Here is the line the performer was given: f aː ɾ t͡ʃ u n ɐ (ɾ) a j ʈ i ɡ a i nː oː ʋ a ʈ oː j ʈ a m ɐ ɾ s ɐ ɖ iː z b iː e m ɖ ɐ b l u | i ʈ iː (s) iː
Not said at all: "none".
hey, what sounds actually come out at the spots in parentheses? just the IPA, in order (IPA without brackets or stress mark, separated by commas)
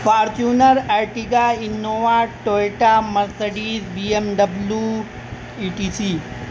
ɾ, s